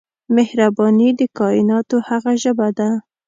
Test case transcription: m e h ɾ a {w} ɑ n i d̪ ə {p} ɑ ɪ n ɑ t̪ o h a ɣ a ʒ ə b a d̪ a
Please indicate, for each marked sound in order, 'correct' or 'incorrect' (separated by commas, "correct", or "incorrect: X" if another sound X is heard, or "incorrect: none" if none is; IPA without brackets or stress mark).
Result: incorrect: b, incorrect: k